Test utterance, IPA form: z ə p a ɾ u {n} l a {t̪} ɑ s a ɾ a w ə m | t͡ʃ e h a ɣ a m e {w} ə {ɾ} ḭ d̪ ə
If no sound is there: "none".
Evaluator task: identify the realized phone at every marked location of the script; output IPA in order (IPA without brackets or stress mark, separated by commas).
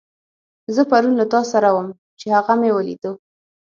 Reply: n, t̪, w, l